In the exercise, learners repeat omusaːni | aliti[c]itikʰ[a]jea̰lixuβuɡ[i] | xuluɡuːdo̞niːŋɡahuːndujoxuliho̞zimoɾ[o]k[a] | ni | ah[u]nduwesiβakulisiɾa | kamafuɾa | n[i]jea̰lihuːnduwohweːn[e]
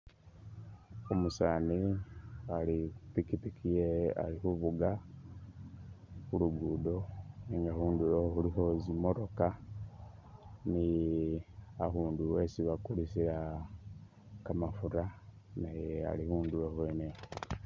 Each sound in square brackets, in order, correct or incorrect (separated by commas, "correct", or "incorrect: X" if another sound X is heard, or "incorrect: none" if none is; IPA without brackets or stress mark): incorrect: k, incorrect: i, incorrect: a, correct, correct, incorrect: uː, incorrect: a, correct